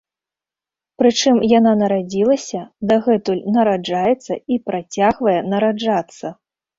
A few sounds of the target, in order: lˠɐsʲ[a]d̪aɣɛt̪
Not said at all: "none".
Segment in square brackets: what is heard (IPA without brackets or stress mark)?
ɐ